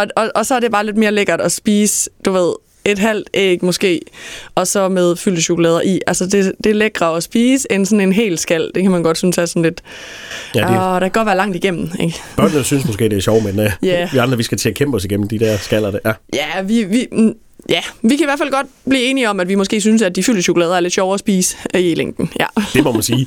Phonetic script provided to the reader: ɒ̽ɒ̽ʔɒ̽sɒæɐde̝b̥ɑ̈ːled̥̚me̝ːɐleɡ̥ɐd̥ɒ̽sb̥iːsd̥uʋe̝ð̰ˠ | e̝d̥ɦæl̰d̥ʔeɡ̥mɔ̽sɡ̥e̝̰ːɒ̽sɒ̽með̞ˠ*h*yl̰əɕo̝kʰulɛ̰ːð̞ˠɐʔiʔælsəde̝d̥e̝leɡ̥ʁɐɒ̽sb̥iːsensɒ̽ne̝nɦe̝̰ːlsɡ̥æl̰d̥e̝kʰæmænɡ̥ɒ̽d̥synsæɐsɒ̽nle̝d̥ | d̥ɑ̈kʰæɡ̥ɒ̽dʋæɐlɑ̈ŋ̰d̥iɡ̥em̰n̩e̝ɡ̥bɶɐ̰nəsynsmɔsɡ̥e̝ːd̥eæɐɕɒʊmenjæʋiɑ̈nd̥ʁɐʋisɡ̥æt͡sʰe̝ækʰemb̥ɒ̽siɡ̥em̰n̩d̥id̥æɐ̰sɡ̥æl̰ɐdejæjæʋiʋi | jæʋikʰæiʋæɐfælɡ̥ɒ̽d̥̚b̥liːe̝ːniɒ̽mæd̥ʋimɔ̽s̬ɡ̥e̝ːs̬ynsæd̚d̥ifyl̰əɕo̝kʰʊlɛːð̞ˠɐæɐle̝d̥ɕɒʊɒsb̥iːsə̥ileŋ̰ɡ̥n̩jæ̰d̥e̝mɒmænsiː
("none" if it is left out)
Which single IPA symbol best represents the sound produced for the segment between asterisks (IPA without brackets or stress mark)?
f